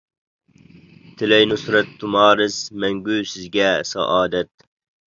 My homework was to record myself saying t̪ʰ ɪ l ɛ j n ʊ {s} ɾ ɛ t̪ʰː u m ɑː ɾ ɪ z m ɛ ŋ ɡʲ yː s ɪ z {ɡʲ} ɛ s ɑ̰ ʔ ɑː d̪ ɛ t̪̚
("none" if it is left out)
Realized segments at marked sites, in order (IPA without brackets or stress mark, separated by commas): s, ɡʲ